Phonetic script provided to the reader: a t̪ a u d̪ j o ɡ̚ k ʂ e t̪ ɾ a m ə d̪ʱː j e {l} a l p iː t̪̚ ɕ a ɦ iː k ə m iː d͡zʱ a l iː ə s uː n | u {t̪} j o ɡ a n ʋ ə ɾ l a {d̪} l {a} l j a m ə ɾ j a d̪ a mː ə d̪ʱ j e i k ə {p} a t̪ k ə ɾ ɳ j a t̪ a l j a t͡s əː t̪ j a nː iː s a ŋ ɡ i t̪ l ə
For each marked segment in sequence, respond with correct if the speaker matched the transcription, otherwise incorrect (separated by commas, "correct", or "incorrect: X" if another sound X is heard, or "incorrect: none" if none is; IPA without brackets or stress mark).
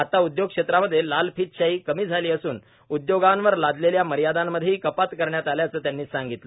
correct, incorrect: d̪, correct, incorrect: e, correct